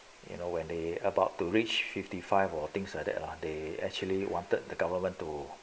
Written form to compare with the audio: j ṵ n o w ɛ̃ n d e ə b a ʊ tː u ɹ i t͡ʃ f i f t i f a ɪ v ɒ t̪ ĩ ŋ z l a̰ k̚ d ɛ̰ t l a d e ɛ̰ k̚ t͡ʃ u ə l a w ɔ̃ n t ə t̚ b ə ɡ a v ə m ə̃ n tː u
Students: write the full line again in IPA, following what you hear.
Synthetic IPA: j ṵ n o w ɛ̃ n d e ə b a ʊ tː u ɹ i t͡ʃ f i f t i f a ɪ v ɔ t̪ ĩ ŋ s l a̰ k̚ d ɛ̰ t l a d e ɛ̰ k̚ t͡ʃ u ə l i w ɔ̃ n t ə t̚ d ə ɡ a v ə m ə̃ n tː u